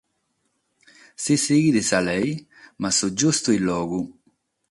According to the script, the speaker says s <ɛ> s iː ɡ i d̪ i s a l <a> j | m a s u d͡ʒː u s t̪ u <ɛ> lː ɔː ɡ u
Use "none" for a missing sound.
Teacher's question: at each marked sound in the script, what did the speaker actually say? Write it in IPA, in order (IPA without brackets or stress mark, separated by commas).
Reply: i, ɛ, i